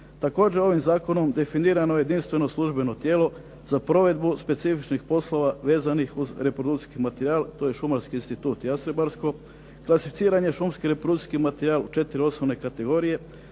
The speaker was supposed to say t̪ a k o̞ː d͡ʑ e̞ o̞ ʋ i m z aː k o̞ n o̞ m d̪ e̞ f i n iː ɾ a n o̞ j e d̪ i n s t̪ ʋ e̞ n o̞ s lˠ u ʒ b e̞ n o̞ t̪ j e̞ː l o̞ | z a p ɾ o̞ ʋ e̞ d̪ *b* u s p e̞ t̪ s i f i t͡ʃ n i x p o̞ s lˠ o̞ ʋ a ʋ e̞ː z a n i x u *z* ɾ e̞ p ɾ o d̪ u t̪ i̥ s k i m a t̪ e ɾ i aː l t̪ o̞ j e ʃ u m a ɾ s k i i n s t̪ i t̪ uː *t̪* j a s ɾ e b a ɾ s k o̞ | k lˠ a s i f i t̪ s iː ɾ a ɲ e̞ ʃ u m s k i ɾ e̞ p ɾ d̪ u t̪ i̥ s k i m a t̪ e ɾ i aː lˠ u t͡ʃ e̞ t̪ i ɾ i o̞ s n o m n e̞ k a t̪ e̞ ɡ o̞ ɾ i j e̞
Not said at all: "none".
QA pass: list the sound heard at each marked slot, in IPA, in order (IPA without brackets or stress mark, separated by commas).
b, z, t̪